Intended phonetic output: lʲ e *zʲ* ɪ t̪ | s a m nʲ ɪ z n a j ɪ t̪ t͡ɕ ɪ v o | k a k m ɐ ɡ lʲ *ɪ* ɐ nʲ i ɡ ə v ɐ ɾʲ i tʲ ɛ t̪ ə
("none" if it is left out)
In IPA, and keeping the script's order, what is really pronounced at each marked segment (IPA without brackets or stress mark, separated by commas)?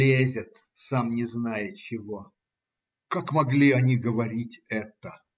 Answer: zʲ, i